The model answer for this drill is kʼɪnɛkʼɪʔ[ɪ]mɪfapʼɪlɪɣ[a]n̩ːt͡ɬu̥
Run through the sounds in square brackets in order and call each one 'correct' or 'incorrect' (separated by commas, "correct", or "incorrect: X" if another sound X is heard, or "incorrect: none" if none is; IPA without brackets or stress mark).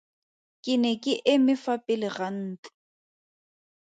correct, correct